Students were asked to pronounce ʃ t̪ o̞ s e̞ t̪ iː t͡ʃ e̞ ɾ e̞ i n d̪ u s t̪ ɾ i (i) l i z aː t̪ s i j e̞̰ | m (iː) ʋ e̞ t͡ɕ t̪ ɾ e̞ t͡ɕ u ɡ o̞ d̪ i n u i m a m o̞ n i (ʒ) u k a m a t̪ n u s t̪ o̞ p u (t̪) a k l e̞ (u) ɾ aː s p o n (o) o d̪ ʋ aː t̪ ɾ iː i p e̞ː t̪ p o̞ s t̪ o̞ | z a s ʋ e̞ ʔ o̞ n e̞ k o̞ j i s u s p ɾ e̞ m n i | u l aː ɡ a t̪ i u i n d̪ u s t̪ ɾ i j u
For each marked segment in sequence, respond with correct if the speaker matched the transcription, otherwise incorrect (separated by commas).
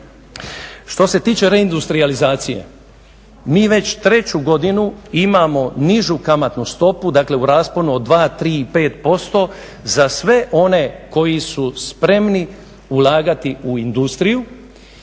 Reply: incorrect, correct, correct, incorrect, correct, incorrect